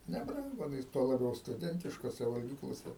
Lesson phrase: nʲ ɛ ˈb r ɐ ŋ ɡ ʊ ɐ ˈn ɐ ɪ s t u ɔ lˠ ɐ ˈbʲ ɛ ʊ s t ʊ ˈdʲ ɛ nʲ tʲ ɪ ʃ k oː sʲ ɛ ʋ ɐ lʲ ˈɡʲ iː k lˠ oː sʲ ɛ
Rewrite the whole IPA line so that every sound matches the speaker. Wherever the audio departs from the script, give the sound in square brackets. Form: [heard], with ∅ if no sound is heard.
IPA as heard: nʲ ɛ ˈb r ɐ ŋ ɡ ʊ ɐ ˈn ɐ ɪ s t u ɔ lˠ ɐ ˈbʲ ɛ ʊ s t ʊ ˈdʲ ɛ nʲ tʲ ɪ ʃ k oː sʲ ɛ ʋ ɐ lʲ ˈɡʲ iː k lˠ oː sʲ ɛ